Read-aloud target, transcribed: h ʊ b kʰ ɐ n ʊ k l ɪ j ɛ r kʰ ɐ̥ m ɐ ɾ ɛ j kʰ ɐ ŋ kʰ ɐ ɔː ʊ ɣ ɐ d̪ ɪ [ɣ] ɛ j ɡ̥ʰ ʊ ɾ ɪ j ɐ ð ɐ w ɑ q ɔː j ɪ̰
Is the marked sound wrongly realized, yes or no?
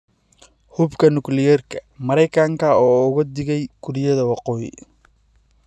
no